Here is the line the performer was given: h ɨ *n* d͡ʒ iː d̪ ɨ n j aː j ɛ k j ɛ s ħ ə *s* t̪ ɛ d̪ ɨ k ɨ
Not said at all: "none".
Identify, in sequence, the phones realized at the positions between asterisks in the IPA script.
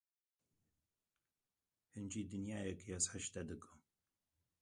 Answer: n, ʃ

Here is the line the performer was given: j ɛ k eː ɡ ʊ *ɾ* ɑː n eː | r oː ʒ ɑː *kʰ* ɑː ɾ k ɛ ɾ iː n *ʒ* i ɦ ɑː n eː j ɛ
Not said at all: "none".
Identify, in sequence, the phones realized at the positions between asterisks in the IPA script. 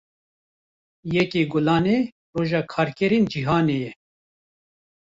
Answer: l, kʰ, d͡ʒ

